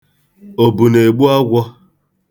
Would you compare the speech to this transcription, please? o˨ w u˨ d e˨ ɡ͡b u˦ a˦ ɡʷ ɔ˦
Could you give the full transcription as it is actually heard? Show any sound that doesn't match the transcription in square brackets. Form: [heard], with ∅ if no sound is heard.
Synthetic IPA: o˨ [b] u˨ [n] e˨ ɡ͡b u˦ a˦ ɡʷ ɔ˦